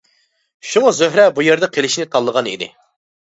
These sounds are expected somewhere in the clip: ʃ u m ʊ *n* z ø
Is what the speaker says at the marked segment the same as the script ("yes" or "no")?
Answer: no